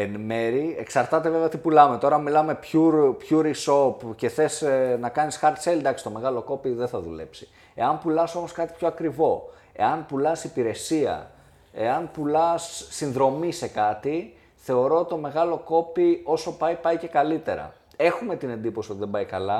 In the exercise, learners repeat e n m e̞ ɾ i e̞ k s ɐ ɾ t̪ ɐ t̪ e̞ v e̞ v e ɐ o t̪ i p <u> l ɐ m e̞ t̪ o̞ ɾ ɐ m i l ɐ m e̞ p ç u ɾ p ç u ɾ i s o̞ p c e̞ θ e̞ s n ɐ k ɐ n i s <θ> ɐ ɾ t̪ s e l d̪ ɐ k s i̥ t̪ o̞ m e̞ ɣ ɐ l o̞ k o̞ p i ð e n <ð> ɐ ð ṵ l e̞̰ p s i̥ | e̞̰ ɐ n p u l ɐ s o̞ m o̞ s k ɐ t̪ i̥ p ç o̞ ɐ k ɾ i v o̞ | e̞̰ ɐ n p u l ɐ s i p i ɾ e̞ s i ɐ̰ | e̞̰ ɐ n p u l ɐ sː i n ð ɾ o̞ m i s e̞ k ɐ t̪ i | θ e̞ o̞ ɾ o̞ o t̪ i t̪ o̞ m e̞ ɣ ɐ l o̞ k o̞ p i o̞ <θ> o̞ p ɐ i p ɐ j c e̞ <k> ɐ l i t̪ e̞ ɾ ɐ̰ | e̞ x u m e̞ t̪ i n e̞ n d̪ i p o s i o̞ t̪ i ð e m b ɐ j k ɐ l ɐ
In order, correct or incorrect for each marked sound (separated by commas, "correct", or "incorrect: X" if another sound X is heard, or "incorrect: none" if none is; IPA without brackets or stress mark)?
correct, incorrect: x, incorrect: θ, incorrect: s, correct